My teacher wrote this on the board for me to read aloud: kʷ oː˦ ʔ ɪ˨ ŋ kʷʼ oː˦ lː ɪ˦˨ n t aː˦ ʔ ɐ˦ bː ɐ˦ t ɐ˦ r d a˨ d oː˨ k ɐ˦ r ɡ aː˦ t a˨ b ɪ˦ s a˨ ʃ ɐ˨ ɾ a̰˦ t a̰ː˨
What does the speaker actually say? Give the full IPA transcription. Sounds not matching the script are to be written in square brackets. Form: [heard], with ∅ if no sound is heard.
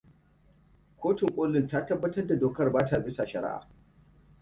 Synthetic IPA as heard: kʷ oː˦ [t] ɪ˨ ŋ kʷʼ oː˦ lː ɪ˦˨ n t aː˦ [t] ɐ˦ bː ɐ˦ t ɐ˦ r d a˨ d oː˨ k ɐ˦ r [b] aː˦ t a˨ b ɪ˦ s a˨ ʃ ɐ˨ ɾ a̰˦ [ʔ] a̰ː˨